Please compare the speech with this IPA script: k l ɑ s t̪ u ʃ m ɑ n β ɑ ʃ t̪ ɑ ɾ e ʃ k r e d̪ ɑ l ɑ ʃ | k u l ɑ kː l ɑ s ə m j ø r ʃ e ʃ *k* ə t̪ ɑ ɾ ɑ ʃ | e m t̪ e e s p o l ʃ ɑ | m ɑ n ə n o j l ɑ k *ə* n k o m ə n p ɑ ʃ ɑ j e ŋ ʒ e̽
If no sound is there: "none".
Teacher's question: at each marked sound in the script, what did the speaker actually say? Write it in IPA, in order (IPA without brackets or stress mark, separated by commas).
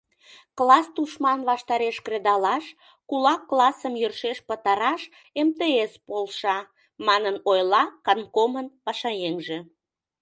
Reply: p, ɑ